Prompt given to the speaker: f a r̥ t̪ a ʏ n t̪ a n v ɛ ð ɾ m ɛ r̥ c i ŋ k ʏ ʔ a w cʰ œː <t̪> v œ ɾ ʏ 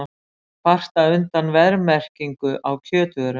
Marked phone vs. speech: correct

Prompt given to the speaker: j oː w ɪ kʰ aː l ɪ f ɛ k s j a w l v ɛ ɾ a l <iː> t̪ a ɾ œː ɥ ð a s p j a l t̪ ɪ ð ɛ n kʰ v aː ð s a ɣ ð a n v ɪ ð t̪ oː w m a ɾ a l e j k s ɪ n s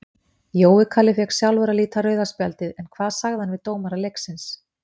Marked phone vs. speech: correct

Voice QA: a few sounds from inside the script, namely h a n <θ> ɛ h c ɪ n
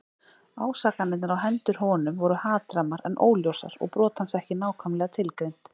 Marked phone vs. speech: incorrect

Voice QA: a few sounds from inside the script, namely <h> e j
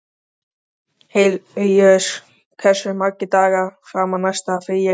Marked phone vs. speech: correct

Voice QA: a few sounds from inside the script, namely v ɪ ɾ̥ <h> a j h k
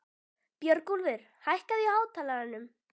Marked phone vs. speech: correct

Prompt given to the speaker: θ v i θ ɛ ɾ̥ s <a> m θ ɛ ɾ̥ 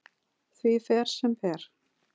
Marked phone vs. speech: incorrect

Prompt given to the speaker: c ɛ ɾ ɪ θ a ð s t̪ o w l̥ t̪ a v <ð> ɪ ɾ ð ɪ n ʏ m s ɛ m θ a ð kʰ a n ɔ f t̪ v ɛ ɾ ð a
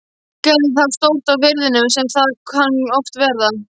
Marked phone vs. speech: incorrect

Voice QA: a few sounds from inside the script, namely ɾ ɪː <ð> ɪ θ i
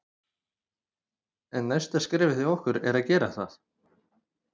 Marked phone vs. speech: incorrect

